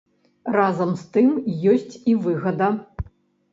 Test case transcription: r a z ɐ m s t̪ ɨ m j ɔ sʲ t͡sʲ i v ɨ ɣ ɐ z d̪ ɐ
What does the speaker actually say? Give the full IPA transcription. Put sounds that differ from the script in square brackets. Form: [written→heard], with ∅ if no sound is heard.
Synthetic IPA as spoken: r a z ɐ m s t̪ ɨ m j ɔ sʲ t͡sʲ i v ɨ ɣ ɐ [z→∅] d̪ ɐ